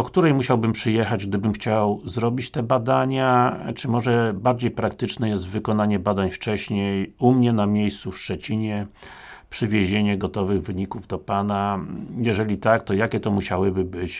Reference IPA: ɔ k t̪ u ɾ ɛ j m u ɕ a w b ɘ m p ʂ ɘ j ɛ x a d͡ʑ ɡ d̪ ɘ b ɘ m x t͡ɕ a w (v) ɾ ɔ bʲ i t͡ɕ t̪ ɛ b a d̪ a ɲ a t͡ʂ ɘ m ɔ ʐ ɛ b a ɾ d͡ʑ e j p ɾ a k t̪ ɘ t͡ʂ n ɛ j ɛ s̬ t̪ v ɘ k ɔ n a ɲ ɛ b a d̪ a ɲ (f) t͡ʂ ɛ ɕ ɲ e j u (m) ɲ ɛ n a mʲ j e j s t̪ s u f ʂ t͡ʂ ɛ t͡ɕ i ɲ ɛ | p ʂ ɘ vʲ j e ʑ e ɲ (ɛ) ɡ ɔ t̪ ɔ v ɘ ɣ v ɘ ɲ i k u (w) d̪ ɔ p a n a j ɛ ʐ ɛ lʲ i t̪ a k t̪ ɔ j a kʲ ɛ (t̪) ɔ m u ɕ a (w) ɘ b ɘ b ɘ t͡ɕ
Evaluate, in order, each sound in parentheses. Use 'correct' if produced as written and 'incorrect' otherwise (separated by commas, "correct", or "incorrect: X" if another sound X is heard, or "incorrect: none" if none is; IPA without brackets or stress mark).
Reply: incorrect: z, correct, correct, correct, incorrect: v, correct, correct